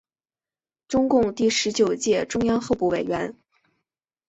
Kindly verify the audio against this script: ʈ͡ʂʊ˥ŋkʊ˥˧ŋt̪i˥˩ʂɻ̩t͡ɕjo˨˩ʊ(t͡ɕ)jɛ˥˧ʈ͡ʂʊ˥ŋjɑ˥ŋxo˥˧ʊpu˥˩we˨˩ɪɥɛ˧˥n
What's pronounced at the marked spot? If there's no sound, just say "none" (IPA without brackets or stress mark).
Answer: t͡ɕ